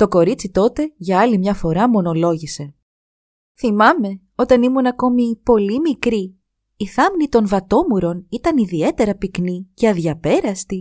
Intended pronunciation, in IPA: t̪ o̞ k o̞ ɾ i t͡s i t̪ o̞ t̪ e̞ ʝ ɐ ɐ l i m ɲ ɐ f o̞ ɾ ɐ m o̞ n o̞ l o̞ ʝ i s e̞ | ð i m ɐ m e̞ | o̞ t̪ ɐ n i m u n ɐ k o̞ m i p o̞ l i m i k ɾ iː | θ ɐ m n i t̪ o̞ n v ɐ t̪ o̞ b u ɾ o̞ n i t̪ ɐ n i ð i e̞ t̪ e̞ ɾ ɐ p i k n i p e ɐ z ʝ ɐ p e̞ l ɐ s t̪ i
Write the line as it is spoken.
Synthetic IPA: t̪ o̞ k o̞ ɾ i t͡s i t̪ o̞ t̪ e̞ ʝ ɐ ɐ l i m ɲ ɐ f o̞ ɾ ɐ m o̞ n o̞ l o̞ ʝ i s e̞ | θ i m ɐ m e̞ | o̞ t̪ ɐ n i m u n ɐ k o̞ m i p o̞ l i m i k ɾ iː | θ ɐ m n i t̪ o̞ n v ɐ t̪ o̞ m u ɾ o̞ n i t̪ ɐ n i ð i e̞ t̪ e̞ ɾ ɐ p i k n i c e ɐ ð ʝ ɐ p e̞ ɾ ɐ s t̪ i